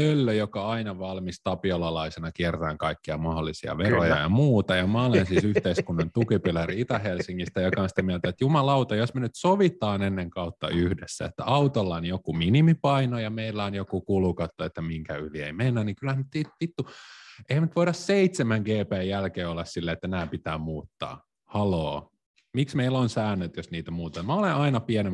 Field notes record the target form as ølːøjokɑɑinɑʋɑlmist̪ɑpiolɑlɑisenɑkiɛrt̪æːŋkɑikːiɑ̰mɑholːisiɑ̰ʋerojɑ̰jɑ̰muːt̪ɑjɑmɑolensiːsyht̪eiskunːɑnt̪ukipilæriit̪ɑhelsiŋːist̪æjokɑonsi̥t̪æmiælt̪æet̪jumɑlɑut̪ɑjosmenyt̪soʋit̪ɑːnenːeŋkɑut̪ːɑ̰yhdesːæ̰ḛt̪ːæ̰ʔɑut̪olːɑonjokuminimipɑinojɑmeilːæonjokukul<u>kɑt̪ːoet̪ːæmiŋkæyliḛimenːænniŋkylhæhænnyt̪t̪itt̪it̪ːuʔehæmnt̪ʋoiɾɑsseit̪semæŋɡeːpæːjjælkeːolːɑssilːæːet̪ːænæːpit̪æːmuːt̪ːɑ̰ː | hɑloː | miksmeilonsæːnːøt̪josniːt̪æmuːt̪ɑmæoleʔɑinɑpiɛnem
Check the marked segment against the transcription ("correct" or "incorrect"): correct